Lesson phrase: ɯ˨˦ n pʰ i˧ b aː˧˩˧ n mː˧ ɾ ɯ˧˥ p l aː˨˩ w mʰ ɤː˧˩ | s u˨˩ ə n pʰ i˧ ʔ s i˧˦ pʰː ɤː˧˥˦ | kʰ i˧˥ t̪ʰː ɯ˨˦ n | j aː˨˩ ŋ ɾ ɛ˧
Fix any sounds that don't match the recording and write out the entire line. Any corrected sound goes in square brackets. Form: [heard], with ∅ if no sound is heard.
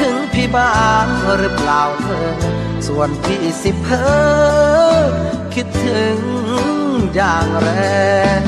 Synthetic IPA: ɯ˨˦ [ŋ] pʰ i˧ b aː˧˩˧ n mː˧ ɾ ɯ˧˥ p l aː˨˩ w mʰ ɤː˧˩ | s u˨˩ ə n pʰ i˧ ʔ s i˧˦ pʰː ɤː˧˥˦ | kʰ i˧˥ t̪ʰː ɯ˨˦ [ŋ] | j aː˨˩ ŋ ɾ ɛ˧